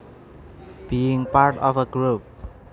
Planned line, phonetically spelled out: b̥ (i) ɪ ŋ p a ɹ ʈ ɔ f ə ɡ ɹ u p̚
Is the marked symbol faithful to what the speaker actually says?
yes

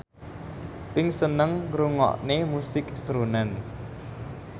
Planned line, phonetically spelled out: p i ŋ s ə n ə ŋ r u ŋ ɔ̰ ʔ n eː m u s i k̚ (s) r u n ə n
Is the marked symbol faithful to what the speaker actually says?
yes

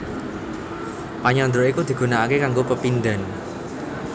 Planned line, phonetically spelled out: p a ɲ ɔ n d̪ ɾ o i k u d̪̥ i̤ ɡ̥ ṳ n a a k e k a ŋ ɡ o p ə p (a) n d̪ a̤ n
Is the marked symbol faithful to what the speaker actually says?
no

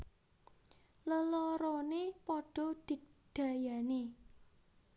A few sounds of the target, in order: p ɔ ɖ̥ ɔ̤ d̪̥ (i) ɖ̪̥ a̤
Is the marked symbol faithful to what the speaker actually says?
yes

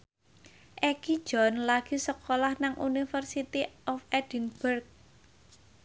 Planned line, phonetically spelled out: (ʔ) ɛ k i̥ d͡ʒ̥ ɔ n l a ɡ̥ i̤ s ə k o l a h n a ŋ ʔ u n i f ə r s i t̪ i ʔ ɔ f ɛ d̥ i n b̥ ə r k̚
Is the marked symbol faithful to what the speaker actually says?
yes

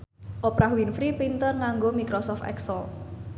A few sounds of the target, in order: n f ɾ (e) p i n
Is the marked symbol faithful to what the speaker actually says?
no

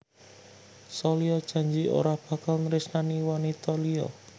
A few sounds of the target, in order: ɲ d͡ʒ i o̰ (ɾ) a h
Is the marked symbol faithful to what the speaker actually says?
yes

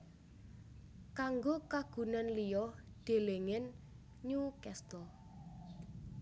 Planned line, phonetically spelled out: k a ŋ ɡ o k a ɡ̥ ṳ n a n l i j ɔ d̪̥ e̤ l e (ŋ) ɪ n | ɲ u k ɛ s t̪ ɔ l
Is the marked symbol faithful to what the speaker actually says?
yes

